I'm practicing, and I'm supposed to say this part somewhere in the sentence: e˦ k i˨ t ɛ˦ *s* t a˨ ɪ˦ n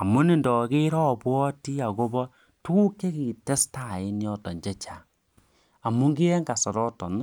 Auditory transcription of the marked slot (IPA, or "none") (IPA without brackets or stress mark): s